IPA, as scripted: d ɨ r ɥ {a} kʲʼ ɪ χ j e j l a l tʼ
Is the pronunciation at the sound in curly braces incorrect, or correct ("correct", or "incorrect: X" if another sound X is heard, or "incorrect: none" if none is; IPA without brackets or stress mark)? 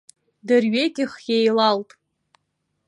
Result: incorrect: e